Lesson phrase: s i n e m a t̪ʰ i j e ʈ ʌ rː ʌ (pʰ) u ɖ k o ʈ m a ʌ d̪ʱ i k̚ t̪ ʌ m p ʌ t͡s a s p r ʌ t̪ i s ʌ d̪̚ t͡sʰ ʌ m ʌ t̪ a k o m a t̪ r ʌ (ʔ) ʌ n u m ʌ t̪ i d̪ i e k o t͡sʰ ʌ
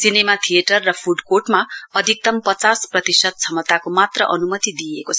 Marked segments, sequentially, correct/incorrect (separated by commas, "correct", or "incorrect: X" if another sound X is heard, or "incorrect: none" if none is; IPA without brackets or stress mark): correct, correct